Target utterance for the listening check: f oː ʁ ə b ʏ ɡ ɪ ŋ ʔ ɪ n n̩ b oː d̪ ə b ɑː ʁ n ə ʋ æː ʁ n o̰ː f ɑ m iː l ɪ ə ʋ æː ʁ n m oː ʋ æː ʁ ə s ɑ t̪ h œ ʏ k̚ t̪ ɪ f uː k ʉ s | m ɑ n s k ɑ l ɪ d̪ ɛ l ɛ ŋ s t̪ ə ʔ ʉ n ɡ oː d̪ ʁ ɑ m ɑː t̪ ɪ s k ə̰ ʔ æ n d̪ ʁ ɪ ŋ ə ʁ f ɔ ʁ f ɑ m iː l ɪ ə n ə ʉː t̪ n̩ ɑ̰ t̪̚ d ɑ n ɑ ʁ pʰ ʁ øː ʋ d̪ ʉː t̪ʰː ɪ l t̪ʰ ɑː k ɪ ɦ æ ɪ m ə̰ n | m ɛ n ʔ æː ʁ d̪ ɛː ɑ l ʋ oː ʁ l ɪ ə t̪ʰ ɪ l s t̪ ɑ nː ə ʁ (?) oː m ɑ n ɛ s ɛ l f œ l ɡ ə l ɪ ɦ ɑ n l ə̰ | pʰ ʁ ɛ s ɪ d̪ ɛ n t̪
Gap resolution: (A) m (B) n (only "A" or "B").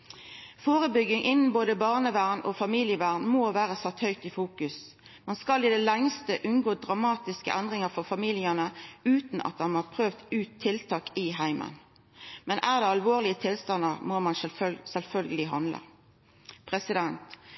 A